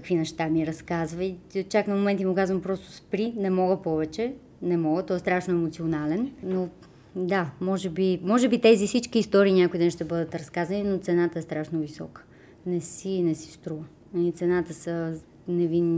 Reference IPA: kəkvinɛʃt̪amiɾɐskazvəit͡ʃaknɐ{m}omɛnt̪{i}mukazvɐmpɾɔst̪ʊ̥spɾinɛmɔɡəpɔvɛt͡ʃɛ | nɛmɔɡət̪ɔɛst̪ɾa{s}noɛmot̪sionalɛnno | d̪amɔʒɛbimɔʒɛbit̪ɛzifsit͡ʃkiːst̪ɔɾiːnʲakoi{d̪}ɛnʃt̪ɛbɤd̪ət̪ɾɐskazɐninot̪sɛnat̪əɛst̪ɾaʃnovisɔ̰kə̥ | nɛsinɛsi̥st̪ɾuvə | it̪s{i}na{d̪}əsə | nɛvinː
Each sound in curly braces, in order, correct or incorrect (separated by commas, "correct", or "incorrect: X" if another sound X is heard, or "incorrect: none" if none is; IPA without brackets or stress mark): correct, correct, incorrect: ʃ, correct, incorrect: ɛ, incorrect: t̪